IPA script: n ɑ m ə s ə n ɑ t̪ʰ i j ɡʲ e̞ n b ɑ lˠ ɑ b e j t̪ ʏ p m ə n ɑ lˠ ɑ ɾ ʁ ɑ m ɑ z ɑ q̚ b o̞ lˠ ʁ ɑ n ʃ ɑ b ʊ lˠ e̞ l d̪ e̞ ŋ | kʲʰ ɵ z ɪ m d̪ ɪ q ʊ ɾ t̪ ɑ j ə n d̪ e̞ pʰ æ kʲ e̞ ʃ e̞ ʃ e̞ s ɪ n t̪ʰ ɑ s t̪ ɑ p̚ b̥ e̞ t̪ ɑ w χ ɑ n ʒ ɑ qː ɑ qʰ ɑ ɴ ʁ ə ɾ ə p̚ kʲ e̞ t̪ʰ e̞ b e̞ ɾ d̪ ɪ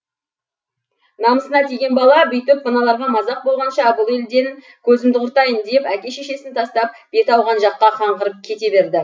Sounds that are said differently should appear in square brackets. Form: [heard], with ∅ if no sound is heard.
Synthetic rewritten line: n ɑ m ə s ə n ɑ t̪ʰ i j ɡʲ e̞ n b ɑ lˠ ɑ b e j t̪ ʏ p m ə n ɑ lˠ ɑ ɾ ʁ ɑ m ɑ z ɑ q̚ b o̞ lˠ ʁ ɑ n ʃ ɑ b ʊ lˠ e̞ l d̪ e̞ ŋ | kʲʰ ɵ z ɪ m d̪ ɪ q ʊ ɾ t̪ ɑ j ə n d̪ e̞ [p] æ kʲ e̞ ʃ e̞ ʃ e̞ s ɪ n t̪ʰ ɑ s t̪ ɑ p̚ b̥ e̞ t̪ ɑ w [ʁ] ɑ n ʒ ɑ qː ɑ qʰ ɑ ɴ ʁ ə ɾ ə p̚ [kʲʰ] e̞ [t̪] e̞ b e̞ ɾ d̪ ɪ